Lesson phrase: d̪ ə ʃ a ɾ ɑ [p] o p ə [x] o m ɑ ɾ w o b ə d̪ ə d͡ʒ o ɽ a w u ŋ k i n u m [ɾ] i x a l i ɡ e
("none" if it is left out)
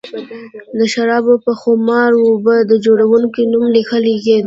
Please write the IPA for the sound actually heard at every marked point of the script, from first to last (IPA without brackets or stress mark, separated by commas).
b, x, l